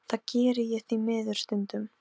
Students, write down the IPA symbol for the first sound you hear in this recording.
θ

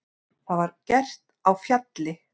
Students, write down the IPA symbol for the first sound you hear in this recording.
θ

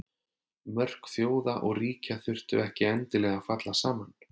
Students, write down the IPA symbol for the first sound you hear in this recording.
m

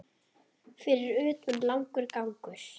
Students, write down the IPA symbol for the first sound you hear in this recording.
f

